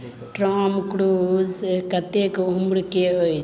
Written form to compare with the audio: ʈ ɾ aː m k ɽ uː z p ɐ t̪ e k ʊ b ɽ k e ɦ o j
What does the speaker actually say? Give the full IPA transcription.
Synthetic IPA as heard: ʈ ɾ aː m k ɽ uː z k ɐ t̪ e k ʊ m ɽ k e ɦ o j